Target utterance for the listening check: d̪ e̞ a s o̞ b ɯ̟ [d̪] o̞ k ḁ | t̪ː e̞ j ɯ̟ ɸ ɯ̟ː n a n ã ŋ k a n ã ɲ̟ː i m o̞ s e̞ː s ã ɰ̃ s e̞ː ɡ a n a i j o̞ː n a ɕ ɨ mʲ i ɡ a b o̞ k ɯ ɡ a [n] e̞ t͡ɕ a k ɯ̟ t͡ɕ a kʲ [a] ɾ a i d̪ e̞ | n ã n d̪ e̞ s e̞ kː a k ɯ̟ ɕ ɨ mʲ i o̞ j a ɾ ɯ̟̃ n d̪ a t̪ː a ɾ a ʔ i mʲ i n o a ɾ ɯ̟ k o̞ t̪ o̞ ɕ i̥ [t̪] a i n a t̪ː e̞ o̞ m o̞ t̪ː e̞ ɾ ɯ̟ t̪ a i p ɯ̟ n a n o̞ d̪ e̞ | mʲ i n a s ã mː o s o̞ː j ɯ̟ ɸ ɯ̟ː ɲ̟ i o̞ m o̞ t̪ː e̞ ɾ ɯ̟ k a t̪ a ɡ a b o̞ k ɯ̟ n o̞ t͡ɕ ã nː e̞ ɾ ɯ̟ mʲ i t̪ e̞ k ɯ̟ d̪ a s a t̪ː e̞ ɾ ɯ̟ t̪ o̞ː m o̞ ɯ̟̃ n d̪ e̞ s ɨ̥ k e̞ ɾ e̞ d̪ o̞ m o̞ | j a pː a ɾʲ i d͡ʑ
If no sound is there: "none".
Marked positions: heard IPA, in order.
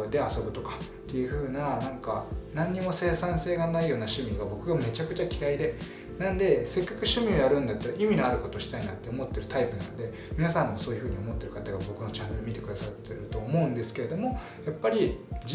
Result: t̪, m, i, t̪

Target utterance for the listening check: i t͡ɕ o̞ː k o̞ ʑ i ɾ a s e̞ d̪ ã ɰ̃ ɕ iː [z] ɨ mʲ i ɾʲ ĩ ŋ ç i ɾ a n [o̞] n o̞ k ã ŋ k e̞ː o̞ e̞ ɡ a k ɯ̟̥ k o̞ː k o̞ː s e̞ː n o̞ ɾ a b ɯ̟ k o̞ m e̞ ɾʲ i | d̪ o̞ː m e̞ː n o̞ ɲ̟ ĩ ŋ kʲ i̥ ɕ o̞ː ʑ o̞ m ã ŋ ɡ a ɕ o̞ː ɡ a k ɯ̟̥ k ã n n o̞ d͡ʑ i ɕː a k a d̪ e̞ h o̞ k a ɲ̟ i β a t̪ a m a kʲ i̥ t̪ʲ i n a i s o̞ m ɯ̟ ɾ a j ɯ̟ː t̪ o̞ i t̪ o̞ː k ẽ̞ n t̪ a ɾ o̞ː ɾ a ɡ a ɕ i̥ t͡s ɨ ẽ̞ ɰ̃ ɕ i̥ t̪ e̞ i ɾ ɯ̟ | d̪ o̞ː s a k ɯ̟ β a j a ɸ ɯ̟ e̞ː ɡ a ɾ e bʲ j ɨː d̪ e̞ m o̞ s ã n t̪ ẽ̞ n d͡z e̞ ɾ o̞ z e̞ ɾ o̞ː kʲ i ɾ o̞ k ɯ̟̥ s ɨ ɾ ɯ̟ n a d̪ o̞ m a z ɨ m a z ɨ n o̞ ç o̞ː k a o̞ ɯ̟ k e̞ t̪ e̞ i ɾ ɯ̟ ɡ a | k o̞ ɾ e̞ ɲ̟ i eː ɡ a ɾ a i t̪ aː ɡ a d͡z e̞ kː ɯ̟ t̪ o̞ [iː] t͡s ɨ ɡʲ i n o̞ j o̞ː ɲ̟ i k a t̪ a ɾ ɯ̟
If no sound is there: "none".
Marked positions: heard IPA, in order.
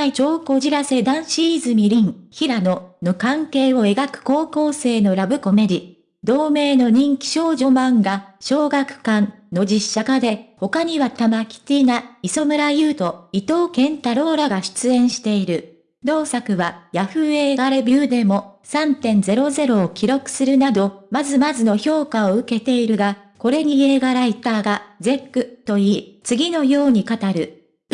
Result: z, o̞, iː

